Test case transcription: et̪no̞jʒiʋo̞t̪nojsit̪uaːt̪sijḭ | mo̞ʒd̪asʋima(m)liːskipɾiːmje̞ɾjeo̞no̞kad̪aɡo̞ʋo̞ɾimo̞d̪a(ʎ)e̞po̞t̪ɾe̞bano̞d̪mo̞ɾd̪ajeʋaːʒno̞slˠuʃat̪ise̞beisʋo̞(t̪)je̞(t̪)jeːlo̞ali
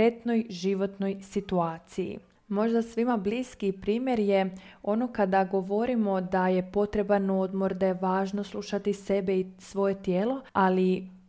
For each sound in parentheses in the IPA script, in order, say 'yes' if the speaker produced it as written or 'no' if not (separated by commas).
no, no, no, yes